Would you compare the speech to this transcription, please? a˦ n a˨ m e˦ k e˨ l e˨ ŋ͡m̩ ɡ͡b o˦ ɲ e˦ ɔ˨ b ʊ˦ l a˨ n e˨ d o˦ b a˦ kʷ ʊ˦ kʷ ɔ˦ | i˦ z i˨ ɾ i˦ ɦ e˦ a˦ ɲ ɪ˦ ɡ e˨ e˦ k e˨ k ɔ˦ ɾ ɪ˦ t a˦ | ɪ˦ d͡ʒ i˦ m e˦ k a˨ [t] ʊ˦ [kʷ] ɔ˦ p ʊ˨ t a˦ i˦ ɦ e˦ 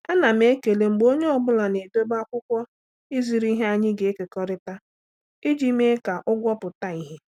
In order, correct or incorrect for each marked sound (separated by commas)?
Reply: incorrect, incorrect